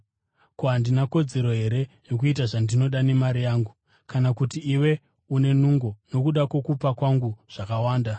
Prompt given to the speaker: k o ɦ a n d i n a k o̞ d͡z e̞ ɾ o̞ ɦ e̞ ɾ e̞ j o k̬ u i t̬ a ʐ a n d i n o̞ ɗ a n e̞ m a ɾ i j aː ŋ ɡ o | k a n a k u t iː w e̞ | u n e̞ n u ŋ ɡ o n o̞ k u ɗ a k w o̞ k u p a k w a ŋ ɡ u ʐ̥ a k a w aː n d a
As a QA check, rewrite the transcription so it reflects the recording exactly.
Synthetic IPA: k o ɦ a n d i n a k o̞ d͡z e̞ ɾ o̞ ɦ e̞ ɾ e̞ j o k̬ u i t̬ a ʐ a n d i n o̞ ɗ a n e̞ m a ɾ i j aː ŋ ɡ u | k a n a k u t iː w e̞ | u n e̞ n u ŋ ɡ o n o̞ k u ɗ a k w o̞ k u p a k w a ŋ ɡ u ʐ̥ a k a w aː n d a